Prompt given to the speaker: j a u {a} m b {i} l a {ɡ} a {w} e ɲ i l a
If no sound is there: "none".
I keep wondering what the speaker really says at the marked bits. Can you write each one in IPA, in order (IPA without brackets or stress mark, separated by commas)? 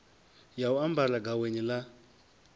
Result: a, a, ɡ, w